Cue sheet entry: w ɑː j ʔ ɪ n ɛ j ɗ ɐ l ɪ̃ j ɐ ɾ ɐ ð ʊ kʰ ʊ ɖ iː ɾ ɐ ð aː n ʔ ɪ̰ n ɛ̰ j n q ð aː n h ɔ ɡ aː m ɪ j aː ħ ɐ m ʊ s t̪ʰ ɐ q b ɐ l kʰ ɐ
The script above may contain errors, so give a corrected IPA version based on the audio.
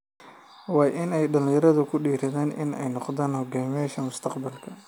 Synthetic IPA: w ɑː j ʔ ɪ n ɛ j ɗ ɐ l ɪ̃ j ɐ ɾ ɐ ð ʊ kʰ ʊ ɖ iː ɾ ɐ ð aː n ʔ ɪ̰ n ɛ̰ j n q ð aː n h ɔ ɡ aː m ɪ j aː ʃ ɐ m ʊ s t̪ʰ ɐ q b ɐ l kʰ ɐ